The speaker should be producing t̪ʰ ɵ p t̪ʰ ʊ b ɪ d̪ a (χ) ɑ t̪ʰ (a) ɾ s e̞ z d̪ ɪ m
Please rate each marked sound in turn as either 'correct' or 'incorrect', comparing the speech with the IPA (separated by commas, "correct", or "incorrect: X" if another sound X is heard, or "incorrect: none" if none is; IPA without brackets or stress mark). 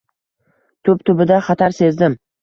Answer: correct, correct